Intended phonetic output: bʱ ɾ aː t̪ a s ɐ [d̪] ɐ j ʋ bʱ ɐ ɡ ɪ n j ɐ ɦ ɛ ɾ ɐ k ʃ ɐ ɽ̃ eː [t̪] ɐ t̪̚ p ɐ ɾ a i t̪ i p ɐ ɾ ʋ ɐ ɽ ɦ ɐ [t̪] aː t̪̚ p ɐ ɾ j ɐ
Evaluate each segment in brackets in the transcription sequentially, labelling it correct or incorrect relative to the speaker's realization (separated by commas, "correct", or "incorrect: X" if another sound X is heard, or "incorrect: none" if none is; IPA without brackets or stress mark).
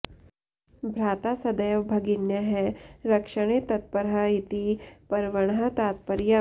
correct, correct, correct